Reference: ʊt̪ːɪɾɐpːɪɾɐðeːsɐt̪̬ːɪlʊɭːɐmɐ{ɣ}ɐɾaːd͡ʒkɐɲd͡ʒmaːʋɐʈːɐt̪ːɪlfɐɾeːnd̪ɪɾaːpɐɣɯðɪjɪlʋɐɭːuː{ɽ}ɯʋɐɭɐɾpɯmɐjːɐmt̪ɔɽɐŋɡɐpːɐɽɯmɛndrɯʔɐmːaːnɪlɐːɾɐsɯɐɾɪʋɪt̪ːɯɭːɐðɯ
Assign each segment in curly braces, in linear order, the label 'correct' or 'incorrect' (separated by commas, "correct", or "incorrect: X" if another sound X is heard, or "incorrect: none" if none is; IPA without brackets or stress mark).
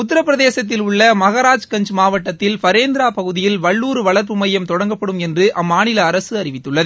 correct, incorrect: ɾ